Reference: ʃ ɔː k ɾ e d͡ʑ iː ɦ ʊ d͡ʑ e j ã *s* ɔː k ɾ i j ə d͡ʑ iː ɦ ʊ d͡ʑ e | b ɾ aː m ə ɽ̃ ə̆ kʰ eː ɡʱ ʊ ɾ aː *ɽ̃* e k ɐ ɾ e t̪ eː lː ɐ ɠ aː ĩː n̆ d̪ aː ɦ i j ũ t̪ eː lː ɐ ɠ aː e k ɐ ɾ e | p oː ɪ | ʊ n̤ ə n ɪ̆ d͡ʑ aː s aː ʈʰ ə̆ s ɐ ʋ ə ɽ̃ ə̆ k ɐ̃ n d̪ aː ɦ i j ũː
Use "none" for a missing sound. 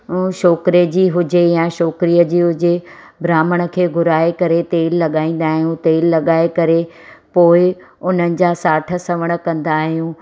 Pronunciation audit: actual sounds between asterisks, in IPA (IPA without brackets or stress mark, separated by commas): ʃ, none